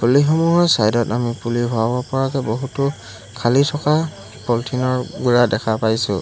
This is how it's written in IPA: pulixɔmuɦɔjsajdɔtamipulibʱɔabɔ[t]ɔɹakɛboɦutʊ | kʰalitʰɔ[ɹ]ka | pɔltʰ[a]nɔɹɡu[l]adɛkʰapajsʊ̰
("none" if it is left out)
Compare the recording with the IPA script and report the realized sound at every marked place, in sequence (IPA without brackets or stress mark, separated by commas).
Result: p, none, i, ɹ